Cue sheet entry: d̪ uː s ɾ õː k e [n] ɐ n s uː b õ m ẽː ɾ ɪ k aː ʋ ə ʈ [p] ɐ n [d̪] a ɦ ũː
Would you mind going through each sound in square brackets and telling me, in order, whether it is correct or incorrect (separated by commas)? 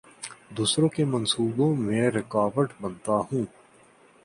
incorrect, incorrect, incorrect